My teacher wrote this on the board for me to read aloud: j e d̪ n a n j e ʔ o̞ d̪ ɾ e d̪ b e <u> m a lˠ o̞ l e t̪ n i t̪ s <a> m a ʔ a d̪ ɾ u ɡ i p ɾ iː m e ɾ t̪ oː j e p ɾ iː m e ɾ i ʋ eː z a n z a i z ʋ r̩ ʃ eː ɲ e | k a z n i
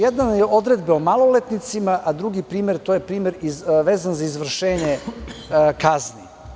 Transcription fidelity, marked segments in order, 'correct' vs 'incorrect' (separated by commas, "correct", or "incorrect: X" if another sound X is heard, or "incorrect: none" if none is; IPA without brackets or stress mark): incorrect: o, incorrect: i